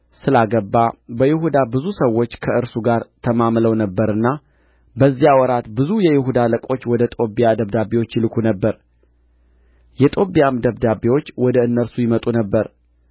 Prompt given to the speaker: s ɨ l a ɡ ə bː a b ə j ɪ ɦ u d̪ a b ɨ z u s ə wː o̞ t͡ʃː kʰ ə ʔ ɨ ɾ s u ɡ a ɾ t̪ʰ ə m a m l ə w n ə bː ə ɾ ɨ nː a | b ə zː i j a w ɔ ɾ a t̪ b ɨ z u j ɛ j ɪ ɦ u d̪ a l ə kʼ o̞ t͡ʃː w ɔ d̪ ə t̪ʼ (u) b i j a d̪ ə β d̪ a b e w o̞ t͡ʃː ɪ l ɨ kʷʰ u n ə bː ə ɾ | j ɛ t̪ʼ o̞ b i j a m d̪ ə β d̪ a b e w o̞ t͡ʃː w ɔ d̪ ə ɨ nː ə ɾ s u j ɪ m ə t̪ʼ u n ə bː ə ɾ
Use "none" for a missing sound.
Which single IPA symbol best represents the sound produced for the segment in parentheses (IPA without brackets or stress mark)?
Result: o